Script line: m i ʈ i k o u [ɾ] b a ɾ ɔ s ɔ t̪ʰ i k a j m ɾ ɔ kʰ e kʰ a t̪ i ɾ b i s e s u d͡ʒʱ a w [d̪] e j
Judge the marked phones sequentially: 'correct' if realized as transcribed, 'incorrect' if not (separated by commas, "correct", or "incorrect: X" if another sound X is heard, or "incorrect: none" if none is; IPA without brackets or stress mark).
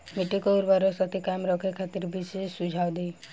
correct, correct